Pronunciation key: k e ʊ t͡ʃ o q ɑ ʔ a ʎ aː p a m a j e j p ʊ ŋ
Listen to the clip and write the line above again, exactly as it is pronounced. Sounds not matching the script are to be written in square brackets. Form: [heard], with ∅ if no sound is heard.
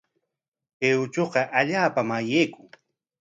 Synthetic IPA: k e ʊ t͡ʃ o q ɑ ʔ a ʎ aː p a m a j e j [k] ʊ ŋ

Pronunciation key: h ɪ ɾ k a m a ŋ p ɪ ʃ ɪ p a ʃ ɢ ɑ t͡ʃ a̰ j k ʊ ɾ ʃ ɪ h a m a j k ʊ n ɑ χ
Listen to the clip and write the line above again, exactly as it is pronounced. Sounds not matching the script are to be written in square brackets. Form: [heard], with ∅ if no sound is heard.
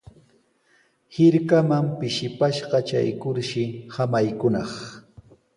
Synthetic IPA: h ɪ ɾ k a m a [m] p ɪ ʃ ɪ p a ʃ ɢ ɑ t͡ʃ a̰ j k ʊ ɾ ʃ ɪ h a m a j k ʊ n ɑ χ

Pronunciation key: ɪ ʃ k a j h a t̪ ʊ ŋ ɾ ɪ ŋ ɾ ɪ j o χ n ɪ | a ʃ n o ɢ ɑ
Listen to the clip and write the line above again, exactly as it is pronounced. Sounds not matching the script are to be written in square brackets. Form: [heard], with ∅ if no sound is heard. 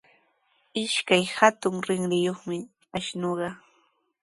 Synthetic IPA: ɪ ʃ k a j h a t̪ ʊ ŋ ɾ ɪ ŋ ɾ ɪ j o χ [m] ɪ | a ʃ n o ɢ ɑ

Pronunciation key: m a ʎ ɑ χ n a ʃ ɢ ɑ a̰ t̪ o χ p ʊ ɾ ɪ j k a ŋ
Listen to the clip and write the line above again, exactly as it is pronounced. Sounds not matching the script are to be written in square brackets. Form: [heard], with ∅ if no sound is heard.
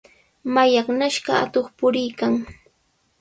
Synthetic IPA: m a [j] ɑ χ n a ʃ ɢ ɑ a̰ t̪ o χ p ʊ ɾ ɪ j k a ŋ

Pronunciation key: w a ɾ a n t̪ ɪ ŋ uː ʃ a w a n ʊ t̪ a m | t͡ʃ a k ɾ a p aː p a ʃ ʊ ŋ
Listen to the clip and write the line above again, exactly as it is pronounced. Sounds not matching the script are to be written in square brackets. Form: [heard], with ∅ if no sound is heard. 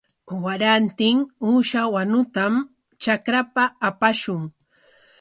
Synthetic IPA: w a ɾ a n t̪ ɪ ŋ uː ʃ a w a n ʊ t̪ a m | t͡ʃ a k ɾ a p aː p a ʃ ʊ ŋ

